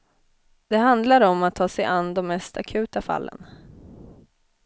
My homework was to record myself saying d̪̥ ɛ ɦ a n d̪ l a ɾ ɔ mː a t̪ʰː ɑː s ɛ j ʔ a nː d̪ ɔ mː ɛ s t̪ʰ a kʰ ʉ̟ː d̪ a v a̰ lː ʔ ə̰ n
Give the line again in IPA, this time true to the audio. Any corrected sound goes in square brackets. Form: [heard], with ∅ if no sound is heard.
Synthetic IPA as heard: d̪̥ ɛ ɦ a n d̪ l a ɾ ɔ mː a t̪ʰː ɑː s ɛ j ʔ a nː d̪ ɔ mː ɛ s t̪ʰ a kʰ ʉ̟ː [t̪] a [f] a̰ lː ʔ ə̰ n